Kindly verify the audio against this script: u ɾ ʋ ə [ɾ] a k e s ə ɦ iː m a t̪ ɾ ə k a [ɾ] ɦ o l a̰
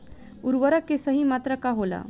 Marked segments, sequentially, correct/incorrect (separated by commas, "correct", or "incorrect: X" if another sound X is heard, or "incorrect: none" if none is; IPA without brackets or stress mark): correct, incorrect: none